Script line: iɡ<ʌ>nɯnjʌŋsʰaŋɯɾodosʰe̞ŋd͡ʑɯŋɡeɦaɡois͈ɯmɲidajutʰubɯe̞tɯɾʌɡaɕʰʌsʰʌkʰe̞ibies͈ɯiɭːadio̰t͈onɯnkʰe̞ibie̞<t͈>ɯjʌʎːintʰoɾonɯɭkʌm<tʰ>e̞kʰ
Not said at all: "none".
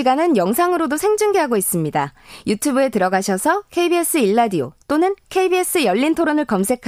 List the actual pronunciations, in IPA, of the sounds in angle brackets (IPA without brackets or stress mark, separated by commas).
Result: a, s͈, sʰ